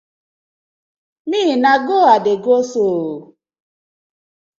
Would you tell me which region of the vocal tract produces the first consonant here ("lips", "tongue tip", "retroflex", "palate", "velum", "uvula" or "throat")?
tongue tip